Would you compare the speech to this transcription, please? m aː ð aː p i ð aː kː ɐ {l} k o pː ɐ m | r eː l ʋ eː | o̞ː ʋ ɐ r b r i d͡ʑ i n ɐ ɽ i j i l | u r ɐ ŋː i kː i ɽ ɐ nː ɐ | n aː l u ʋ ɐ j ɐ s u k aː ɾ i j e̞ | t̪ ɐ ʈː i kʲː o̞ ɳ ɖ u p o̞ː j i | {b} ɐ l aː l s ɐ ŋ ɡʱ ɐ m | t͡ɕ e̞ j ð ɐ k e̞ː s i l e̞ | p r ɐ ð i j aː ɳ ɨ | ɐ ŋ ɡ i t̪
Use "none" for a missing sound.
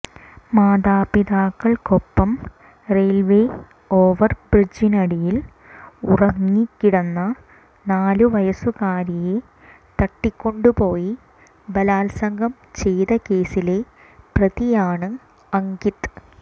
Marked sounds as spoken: ɭ, b

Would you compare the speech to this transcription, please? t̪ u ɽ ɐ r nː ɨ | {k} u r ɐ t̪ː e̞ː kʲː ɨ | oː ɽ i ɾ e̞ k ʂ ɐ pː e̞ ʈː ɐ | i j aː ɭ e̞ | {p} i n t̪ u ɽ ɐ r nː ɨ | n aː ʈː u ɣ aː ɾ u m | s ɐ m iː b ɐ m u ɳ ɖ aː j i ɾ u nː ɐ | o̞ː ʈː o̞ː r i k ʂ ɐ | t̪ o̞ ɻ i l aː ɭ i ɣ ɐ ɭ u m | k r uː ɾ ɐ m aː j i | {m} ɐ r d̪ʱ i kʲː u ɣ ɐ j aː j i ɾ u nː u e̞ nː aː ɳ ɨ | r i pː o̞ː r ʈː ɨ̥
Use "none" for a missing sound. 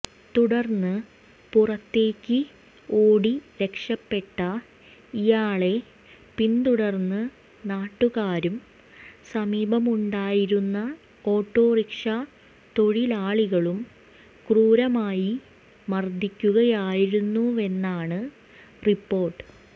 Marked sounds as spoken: p, p, m

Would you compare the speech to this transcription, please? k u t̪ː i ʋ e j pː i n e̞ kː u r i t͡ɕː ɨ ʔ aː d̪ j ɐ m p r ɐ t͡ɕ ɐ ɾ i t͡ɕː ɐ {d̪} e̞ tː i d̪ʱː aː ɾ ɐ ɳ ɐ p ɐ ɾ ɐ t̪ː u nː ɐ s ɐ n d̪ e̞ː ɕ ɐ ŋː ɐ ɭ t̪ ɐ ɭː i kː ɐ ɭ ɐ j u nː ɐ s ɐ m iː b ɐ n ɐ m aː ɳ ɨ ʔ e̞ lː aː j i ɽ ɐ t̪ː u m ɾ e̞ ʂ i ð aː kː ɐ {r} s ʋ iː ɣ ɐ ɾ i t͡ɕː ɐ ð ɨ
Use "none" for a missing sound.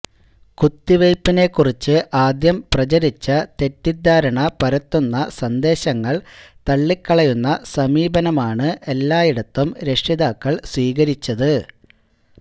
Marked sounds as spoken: t̪, ɭ

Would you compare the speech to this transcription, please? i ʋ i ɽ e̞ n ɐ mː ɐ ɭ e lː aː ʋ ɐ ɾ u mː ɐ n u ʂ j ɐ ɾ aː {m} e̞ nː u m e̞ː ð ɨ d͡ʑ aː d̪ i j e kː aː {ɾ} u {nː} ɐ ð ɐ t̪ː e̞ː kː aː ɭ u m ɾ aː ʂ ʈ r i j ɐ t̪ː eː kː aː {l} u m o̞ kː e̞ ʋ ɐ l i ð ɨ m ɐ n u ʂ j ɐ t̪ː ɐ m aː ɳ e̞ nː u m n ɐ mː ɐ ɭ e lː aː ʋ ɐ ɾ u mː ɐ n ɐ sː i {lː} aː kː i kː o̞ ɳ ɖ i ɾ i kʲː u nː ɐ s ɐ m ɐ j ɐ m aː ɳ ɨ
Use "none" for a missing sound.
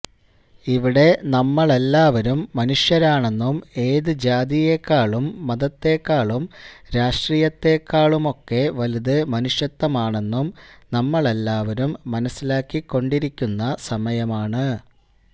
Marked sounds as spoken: ɳ, ɭ, mː, ɭ, l

